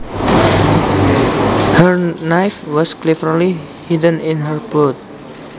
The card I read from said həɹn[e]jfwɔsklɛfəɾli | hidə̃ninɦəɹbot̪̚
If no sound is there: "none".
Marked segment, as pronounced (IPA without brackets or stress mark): a